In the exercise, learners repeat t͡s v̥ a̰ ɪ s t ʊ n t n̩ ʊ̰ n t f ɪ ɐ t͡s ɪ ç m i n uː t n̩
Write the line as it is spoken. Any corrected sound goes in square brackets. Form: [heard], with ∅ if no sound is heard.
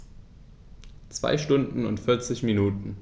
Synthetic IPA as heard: t͡s v̥ a̰ ɪ [ʃ] t ʊ n [d] n̩ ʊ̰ n t f ɪ ɐ t͡s ɪ ç m i n uː t n̩